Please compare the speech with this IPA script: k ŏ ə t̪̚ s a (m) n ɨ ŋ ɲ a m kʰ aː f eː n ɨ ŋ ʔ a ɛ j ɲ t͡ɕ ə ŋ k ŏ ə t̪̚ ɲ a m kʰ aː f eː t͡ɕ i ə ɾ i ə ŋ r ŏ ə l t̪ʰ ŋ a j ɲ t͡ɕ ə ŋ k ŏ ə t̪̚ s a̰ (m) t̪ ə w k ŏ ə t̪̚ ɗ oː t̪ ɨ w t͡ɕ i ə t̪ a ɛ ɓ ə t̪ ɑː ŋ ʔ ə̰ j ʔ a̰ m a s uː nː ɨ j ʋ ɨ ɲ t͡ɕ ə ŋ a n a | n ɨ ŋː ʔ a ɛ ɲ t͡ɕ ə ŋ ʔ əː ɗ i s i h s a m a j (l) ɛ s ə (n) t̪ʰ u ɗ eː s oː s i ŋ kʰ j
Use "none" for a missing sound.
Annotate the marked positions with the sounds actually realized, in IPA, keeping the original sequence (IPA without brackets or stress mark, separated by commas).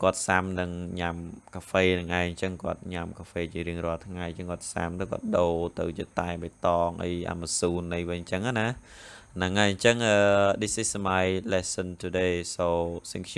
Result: m, m, l, n